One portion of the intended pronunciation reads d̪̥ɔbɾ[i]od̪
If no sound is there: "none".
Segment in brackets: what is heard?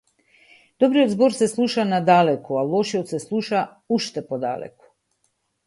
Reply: i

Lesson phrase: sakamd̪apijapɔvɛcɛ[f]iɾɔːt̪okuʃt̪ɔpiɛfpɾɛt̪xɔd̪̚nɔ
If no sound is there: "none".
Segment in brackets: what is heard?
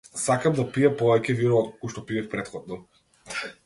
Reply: v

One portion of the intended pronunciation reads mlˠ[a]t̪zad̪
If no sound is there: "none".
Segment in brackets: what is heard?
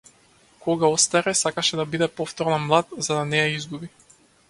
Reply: a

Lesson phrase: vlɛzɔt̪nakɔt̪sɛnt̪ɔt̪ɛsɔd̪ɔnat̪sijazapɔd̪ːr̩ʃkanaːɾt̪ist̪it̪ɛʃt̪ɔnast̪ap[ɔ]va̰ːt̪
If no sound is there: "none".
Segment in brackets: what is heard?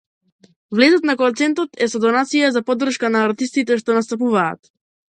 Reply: u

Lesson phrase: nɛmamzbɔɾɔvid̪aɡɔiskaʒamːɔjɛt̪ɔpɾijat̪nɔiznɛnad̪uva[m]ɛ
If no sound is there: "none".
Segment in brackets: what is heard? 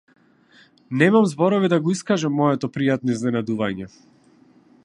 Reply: ɲ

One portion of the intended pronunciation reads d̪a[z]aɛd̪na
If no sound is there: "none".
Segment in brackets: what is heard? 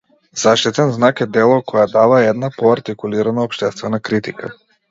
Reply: v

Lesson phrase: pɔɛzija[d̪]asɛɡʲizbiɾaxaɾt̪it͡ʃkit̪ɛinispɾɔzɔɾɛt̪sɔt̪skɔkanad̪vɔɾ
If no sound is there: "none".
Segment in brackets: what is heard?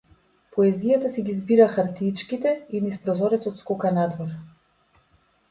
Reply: t̪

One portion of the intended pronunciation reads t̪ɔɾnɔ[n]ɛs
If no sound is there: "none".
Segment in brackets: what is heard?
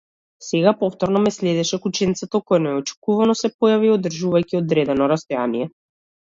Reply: m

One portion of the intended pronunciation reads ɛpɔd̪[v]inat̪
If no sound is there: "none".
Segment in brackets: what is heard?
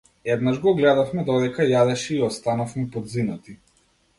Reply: z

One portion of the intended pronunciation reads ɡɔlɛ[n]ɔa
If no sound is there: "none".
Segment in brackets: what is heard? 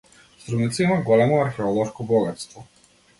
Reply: m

